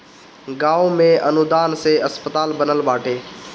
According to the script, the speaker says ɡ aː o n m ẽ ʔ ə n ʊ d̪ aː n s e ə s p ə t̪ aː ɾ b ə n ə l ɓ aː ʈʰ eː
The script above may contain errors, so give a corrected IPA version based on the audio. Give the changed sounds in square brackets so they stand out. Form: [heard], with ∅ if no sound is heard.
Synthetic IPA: ɡ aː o [∅] m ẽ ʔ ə n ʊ d̪ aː n s e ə s p ə t̪ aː [l] b ə n ə l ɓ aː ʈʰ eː

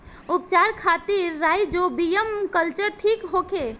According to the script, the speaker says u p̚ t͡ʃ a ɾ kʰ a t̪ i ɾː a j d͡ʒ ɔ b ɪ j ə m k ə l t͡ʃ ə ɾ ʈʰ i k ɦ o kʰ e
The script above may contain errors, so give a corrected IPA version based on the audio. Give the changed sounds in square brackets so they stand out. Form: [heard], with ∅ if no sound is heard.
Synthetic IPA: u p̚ t͡ʃ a ɾ kʰ a t̪ i ɾː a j d͡ʒ [o] b [i] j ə m k ə l t͡ʃ ə ɾ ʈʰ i k ɦ o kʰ e

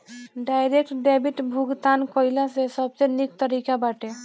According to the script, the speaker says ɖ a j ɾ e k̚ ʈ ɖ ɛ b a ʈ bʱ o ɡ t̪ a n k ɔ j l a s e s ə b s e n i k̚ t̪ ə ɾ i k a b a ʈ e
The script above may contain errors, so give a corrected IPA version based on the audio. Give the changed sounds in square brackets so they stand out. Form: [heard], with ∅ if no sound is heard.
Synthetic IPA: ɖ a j ɾ e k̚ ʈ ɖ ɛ b [i] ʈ bʱ [u] ɡ t̪ a n k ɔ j l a s e s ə b s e n i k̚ t̪ ə ɾ i k a b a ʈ e

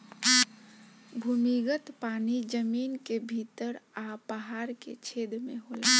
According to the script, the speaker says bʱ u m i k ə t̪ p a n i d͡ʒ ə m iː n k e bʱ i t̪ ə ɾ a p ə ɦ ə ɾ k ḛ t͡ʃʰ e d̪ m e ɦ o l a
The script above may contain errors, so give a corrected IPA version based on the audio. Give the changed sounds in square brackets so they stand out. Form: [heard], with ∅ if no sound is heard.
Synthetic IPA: bʱ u m i [ɡ] ə t̪ p a n i d͡ʒ ə m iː n k e bʱ i t̪ ə ɾ a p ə ɦ [a] ɾ k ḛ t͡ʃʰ e d̪ m e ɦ o l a

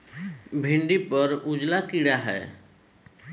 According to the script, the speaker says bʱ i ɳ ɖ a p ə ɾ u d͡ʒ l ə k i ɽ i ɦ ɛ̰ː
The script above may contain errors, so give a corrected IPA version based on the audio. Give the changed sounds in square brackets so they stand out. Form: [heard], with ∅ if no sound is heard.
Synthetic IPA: bʱ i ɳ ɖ [i] p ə ɾ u d͡ʒ l [a] k i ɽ [a] ɦ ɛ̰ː

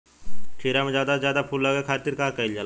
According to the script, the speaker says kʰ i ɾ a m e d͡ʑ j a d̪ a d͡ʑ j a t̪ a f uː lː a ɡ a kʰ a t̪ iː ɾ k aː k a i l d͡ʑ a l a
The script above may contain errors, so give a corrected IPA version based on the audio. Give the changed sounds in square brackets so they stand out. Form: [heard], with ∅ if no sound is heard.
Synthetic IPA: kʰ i ɾ a m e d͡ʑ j a d̪ a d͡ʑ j a [d̪] a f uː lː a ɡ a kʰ a t̪ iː ɾ k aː k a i l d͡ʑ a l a

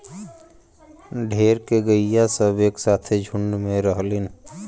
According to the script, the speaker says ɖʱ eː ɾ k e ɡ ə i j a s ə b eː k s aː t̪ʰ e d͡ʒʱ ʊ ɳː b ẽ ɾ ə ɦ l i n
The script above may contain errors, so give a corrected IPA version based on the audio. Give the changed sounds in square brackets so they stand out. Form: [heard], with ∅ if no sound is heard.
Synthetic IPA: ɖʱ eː ɾ k e ɡ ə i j a s ə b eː k s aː t̪ʰ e d͡ʒʱ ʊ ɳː [m] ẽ ɾ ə ɦ l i n

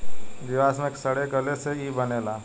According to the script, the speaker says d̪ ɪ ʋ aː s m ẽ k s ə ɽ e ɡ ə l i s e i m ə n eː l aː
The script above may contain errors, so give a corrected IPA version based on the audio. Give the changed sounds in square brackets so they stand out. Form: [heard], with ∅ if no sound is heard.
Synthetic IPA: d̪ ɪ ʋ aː s m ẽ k s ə ɽ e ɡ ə l [e] s e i [b] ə n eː l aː

